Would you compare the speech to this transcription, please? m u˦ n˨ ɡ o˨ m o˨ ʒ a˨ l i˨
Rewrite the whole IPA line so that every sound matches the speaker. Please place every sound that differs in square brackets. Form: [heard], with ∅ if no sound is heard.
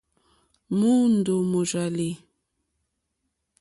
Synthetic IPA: m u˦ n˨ [d] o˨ m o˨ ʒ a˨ l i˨

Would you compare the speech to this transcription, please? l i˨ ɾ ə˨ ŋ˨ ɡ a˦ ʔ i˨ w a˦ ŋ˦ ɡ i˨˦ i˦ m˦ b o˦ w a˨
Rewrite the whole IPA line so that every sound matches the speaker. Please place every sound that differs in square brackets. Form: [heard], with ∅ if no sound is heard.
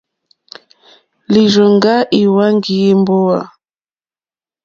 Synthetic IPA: l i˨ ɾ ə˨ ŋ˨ ɡ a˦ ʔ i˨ w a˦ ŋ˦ ɡ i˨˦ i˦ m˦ b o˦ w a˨

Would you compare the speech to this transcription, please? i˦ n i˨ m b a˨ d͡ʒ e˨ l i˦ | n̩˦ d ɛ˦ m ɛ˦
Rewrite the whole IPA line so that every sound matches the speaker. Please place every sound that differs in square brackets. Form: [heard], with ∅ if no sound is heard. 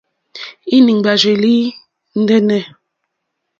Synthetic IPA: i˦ n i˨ [ŋ] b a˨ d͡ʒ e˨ l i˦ | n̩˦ d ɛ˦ [n] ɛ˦

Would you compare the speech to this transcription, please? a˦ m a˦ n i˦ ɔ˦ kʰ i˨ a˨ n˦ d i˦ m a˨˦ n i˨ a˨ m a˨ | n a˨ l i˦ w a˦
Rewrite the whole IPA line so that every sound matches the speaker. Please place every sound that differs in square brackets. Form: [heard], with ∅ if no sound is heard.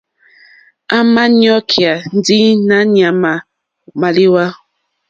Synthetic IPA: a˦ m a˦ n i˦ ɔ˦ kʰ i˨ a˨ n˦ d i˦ [n] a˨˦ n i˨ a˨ m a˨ | [m] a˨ l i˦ w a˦

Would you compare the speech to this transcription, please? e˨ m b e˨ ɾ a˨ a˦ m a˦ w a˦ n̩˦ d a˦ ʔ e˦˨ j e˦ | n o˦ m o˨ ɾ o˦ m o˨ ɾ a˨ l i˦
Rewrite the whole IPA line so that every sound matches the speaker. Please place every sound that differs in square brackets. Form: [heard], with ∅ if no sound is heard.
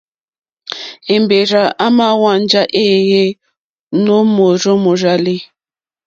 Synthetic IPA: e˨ m b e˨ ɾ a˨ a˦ m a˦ w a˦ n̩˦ [d͡ʒ] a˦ ʔ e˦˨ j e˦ | n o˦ m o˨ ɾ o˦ m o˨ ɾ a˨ l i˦

